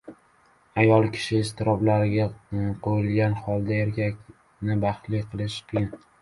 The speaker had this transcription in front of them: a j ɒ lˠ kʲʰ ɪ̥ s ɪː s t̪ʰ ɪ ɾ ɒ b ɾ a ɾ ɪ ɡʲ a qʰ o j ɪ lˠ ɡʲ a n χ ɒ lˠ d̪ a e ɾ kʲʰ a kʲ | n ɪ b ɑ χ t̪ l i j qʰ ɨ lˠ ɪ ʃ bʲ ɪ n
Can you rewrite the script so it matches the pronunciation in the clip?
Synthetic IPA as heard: a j ɒ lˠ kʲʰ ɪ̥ ʃ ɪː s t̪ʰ ɪ ɾ ɒ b l a ɾ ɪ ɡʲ a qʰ o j ɪ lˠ ɡʲ a n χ ɒ lˠ d̪ a e ɾ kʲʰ a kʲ | n ɪ b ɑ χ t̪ l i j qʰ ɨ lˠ ɪ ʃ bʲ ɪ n